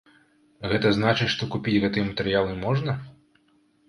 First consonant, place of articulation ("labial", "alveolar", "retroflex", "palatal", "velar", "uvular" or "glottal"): velar